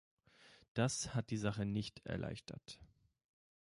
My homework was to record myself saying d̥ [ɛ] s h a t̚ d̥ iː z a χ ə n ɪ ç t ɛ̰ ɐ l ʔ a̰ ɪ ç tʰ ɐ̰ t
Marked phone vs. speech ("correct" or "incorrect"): incorrect